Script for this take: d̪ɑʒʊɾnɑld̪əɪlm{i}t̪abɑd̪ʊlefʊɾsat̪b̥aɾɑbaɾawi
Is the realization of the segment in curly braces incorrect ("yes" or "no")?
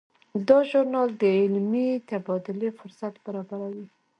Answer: no